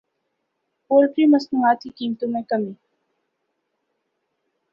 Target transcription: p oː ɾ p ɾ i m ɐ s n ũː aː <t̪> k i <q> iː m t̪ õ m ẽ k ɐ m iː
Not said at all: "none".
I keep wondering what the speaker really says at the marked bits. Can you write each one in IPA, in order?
t̪, k

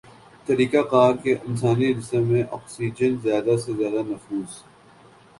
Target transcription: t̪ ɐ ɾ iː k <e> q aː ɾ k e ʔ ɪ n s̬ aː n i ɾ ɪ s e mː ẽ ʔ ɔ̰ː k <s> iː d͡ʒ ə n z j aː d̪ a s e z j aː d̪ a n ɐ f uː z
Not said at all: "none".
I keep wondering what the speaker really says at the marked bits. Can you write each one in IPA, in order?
a, s

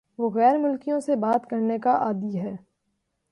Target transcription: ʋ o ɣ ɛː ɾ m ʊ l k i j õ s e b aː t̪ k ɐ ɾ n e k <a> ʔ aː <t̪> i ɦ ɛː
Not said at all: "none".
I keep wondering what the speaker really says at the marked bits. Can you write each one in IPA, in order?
a, d̪

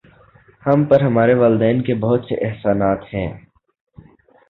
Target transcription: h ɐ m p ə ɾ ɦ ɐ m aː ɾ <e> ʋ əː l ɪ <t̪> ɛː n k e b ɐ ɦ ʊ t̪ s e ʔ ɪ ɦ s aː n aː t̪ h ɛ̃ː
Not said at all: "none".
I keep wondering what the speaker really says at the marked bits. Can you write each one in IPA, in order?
e, d̪

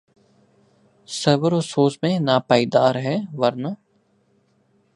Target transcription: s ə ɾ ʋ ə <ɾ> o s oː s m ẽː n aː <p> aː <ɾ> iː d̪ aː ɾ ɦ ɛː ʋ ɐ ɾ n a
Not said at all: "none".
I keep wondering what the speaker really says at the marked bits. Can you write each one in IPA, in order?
ɾ, p, none

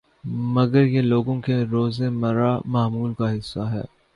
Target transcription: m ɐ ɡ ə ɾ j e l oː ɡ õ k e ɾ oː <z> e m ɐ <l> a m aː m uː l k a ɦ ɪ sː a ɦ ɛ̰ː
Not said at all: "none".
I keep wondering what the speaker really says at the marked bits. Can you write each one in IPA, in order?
z, ɾ

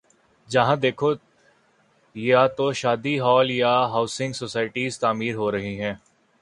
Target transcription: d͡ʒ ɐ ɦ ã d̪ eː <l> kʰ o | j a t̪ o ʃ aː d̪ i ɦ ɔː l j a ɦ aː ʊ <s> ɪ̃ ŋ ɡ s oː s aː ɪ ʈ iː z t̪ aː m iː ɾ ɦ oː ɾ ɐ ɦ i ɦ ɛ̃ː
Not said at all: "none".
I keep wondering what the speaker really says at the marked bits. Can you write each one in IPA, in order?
none, s

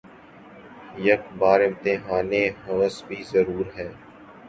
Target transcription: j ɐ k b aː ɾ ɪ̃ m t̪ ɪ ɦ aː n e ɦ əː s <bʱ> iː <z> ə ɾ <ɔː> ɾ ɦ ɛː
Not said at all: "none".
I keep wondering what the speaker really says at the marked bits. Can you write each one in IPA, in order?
bʱ, z, uː

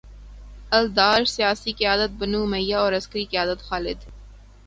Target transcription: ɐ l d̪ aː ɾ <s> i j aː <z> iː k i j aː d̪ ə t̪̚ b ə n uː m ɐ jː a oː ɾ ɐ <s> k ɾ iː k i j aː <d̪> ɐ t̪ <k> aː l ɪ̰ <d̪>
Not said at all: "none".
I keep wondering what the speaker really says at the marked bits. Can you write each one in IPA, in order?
s, s, s, d̪, x, d̪

